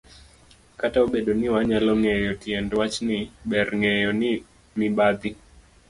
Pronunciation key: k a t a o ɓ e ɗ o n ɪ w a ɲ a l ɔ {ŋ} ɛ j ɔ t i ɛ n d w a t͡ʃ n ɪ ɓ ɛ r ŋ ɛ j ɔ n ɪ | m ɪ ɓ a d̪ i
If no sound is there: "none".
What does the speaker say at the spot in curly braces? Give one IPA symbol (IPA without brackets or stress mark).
ŋ